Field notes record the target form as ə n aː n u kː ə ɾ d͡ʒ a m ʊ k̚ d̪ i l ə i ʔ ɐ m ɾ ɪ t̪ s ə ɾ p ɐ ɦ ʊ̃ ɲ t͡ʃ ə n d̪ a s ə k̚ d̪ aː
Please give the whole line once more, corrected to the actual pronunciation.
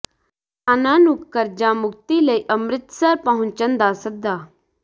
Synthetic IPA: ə n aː n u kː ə ɾ d͡ʒ a m ʊ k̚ t̪ i l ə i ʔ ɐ m ɾ ɪ t̪ s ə ɾ p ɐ ɦ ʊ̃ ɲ t͡ʃ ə n d̪ a s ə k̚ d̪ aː

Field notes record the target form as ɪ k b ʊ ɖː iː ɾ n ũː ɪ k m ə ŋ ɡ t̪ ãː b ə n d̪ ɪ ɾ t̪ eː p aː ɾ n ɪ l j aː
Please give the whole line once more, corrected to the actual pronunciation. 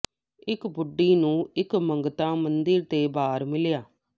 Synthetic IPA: ɪ k b ʊ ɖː iː n ũː ɪ k m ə ŋ ɡ t̪ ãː m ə n d̪ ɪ ɾ t̪ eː b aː ɾ m ɪ l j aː

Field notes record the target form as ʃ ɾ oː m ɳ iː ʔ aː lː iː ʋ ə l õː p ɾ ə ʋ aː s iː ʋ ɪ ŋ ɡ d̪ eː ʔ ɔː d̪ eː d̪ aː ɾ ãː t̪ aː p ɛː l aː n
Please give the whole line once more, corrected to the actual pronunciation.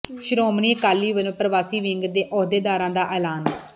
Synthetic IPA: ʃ ɾ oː m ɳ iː k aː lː iː ʋ ə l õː p ɾ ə ʋ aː s iː ʋ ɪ ŋ ɡ d̪ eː ʔ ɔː d̪ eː d̪ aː ɾ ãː d̪ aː ʔ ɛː l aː n

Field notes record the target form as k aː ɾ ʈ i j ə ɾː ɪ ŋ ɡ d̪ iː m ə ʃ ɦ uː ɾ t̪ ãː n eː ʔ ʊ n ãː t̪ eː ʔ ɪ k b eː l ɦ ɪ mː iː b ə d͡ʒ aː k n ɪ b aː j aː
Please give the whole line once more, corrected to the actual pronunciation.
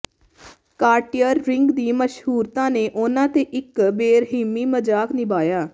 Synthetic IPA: k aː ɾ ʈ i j ə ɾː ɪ ŋ ɡ d̪ iː m ə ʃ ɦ uː ɾ t̪ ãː n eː ʔ ʊ n ãː t̪ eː ʔ ɪ k b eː ɾ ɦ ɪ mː iː m ə d͡ʒ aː k n ɪ b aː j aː

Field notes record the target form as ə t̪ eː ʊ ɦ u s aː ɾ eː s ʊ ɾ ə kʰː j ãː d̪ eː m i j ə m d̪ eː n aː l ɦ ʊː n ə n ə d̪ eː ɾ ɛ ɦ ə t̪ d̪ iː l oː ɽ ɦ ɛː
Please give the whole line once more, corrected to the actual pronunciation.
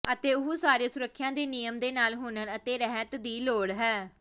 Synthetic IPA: ə t̪ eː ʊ ɦ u s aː ɾ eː s ʊ ɾ ə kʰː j ãː d̪ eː n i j ə m d̪ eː n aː l ɦ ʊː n ə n ə t̪ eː ɾ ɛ ɦ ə t̪ d̪ iː l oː ɽ ɦ ɛː

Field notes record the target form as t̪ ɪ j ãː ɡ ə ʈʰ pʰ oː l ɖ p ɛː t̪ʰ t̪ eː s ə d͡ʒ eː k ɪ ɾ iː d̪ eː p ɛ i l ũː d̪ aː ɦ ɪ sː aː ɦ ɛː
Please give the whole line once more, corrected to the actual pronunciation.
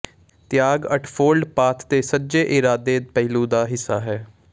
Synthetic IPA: t̪ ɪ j aː ɡ ə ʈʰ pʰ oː l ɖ p aː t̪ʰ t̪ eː s ə d͡ʒ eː ʔ ɪ ɾ aː d̪ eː p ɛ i l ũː d̪ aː ɦ ɪ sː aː ɦ ɛː

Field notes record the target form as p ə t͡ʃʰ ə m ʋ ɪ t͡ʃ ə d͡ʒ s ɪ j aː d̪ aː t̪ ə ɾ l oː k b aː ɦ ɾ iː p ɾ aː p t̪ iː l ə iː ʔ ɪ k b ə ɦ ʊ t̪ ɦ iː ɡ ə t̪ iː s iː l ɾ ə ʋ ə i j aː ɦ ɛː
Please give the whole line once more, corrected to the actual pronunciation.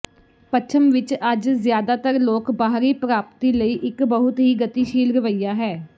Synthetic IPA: p ə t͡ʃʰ ə m ʋ ɪ t͡ʃ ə d͡ʒ z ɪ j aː d̪ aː t̪ ə ɾ l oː k b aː ɦ ɾ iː p ɾ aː p t̪ iː l ə iː ʔ ɪ k b ə ɦ ʊ t̪ ɦ iː ɡ ə t̪ iː ʃ iː l ɾ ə ʋ ə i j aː ɦ ɛː

